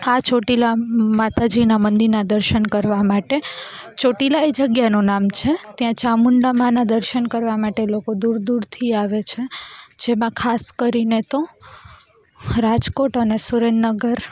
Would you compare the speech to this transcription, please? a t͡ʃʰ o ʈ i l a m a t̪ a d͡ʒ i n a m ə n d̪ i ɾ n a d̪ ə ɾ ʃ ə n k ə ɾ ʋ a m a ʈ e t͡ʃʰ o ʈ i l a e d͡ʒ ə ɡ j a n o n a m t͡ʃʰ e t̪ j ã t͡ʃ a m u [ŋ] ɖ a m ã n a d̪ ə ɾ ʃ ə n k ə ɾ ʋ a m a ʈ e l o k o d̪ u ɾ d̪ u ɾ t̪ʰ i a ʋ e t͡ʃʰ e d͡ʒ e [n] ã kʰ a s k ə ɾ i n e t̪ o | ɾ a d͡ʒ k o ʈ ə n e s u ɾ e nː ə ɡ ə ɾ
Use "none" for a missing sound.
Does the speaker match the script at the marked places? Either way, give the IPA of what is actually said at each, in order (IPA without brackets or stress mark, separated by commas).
ɳ, m